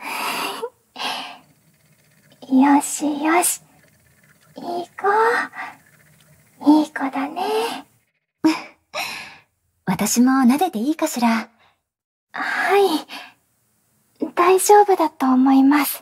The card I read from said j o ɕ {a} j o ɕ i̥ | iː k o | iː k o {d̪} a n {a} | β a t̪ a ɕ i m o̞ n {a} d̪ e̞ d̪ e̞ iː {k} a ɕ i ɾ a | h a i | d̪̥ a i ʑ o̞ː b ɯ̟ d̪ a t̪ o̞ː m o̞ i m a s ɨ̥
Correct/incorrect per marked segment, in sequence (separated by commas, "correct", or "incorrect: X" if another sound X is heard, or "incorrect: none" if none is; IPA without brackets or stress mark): incorrect: i, correct, incorrect: e, correct, correct